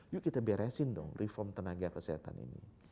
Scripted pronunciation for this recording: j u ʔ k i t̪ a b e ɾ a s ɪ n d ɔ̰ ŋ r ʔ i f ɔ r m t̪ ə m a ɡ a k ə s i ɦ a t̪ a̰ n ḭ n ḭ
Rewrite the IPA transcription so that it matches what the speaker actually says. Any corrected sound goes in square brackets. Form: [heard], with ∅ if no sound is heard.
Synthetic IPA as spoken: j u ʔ k i t̪ a b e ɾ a s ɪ n d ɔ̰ ŋ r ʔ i f ɔ r m t̪ ə [n] a ɡ a k ə s i ɦ a t̪ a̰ n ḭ n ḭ